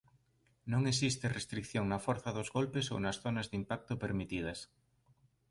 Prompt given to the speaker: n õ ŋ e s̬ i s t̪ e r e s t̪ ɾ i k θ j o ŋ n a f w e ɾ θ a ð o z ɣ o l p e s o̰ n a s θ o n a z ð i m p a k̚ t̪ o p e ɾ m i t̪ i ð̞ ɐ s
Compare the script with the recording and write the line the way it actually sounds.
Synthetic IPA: n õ ŋ e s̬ i s t̪ e r e s t̪ ɾ i k θ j o ŋ n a f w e ɾ θ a ð o z ɣ o l p e s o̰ n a s θ o n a z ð i m p a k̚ t̪ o p e ɾ m i t̪ i ð̞ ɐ s